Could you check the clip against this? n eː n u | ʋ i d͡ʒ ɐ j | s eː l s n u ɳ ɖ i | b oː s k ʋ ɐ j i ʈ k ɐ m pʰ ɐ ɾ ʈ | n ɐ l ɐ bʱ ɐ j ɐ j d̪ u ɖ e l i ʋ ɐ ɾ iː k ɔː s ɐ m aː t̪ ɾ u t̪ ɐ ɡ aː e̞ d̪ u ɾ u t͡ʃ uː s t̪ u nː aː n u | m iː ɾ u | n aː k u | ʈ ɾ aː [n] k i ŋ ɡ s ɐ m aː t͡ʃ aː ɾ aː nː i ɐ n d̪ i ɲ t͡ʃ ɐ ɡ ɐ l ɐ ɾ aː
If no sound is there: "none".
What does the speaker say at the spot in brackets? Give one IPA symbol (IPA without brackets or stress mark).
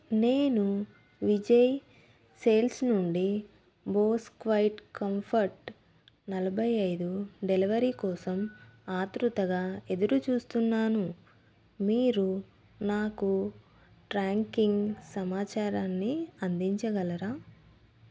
ŋ